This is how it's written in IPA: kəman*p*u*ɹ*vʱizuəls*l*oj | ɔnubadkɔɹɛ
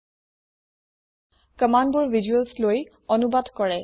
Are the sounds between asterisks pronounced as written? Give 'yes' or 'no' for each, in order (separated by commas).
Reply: no, yes, yes